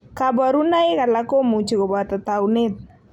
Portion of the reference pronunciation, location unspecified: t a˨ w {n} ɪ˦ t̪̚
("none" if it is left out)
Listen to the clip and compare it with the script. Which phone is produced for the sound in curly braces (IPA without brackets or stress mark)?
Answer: n